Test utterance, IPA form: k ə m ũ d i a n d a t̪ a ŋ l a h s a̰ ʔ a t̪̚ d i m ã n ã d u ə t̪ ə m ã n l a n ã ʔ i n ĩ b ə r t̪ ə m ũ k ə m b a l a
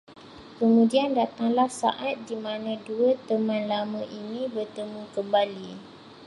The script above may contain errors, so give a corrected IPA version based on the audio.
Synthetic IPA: k ə m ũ d i a n d a t̪ a ŋ l a h s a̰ ʔ a t̪̚ d i m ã n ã d u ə t̪ ə m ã n l a m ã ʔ i n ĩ b ə r t̪ ə m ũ k ə m b a l i